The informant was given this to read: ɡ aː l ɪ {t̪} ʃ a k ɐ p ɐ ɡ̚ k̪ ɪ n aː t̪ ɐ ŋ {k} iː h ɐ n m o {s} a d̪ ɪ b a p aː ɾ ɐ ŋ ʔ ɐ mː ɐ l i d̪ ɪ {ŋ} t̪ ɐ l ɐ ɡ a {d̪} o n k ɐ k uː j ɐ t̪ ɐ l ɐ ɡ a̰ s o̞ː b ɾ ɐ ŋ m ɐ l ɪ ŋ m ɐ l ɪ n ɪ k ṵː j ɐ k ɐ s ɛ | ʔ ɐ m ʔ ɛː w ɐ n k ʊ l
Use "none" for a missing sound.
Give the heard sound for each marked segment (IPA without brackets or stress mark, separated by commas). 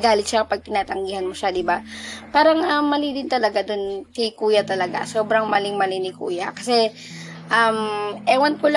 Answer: t̪, ɡ, ʃ, n, d̪